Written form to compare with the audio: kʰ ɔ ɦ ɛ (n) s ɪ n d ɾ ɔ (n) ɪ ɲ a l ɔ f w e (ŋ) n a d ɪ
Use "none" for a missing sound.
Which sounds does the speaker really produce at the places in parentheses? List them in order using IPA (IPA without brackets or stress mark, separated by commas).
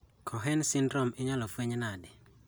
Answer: n, m, ɲ